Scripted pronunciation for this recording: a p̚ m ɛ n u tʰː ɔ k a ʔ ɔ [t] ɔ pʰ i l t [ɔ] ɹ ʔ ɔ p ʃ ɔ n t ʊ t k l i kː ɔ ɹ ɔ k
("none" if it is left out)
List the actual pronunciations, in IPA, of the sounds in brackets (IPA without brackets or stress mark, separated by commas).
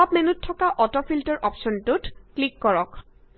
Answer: t, ɔ